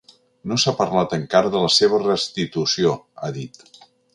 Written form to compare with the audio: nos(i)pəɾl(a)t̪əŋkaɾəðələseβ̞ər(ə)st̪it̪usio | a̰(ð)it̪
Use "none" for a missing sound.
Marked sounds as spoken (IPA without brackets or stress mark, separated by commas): a, a, ə, ð